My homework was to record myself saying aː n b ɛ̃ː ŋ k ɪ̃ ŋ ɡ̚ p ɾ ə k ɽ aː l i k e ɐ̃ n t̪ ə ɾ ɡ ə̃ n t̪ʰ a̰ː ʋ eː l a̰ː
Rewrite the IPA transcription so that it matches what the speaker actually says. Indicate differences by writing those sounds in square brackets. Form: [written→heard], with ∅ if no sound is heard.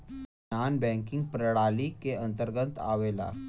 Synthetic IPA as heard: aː n b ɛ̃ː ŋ k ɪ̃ ŋ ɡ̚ p ɾ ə [k→∅] ɽ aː l i k e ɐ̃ n t̪ ə ɾ ɡ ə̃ n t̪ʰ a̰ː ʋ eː l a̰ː